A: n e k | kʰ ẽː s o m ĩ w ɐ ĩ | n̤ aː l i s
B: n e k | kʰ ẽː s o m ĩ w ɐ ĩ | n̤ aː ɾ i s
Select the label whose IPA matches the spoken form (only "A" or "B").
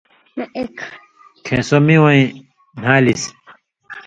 A